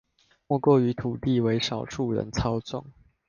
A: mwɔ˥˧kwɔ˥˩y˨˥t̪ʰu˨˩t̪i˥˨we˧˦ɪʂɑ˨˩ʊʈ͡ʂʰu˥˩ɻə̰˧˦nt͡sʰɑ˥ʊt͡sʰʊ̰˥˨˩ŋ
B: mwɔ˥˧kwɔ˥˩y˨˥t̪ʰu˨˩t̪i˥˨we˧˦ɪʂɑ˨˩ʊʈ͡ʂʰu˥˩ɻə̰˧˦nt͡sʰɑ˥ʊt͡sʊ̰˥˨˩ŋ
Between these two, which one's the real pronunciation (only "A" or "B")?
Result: B